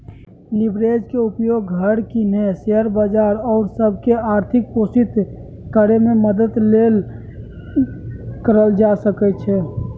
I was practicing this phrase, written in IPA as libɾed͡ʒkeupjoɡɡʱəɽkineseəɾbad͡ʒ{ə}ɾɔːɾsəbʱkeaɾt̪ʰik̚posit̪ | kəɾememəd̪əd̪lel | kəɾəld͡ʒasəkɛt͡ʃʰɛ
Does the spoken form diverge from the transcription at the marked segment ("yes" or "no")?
yes